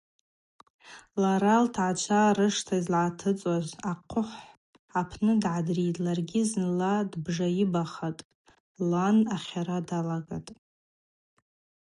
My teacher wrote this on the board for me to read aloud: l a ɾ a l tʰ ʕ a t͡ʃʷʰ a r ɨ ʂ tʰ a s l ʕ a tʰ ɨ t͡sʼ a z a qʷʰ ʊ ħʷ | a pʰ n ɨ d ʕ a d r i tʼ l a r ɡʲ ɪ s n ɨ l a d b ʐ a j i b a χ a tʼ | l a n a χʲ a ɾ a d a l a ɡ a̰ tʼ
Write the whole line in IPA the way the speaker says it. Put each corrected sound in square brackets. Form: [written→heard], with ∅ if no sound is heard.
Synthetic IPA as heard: l a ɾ a l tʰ ʕ a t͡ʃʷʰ a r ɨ ʂ tʰ a [s→z] l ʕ a tʰ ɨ t͡sʼ a z a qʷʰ ʊ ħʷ | a pʰ n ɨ d ʕ a d r i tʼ l a r ɡʲ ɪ [s→z] n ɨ l a d b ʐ a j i b a χ a tʼ | l a n a χʲ a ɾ a d a l a ɡ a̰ tʼ